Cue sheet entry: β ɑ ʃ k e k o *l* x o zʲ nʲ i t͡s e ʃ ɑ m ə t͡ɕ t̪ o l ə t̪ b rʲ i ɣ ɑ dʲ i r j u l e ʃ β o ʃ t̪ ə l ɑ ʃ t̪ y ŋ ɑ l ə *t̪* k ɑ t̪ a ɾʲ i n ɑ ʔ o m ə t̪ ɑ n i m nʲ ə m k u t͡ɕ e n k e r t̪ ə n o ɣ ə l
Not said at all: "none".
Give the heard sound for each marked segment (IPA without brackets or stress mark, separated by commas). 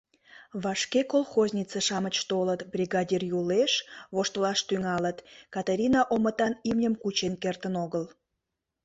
l, t̪